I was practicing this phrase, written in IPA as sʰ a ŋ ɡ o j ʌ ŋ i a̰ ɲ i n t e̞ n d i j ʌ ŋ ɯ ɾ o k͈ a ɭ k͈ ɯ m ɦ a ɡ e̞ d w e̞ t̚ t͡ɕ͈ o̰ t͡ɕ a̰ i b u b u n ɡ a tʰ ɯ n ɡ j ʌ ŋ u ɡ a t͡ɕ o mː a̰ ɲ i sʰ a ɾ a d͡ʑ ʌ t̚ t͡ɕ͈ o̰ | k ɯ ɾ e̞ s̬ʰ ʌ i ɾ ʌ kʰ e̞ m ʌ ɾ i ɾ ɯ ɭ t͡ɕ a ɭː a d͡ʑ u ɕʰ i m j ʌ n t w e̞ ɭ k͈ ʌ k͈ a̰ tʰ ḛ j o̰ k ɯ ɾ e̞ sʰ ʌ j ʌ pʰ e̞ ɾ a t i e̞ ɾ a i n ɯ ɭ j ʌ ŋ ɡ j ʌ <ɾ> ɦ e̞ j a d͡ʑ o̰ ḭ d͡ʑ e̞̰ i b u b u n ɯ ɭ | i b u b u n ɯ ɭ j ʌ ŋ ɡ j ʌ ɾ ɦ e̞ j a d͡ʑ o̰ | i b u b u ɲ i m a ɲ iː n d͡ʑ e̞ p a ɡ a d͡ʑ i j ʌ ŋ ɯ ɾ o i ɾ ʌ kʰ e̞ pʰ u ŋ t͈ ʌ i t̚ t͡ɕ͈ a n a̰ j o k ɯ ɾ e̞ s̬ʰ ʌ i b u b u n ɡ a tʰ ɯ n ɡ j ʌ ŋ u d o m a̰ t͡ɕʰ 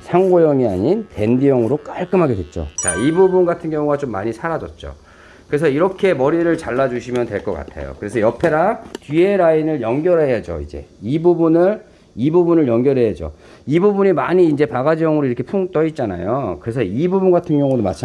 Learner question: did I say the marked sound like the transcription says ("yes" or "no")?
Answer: yes